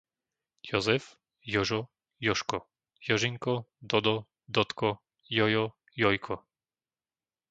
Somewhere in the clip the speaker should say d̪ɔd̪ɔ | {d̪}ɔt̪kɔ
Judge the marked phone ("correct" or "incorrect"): correct